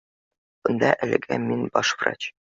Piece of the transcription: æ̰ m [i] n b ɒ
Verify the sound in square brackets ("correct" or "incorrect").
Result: correct